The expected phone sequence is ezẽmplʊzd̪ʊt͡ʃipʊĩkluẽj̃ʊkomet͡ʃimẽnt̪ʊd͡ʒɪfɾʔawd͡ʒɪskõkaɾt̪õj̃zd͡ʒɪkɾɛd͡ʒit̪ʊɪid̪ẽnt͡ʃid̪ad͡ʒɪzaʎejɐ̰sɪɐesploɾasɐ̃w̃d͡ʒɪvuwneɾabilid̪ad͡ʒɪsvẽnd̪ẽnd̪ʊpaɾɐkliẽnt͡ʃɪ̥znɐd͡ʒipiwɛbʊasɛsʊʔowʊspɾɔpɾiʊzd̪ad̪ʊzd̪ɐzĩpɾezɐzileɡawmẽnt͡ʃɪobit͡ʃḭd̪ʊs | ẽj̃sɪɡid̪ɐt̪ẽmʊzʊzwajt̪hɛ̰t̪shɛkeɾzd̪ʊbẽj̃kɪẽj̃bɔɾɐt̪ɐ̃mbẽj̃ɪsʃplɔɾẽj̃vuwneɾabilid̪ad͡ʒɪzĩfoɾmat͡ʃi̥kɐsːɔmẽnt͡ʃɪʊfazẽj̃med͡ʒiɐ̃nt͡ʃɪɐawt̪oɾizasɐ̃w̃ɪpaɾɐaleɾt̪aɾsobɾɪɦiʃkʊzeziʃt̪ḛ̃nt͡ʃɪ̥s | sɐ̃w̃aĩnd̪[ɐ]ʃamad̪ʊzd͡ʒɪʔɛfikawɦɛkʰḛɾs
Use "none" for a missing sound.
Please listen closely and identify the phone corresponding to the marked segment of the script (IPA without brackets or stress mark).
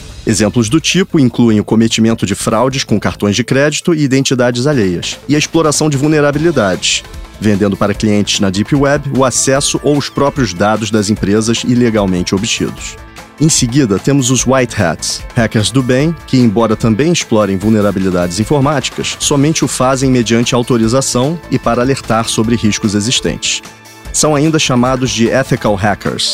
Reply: ɐ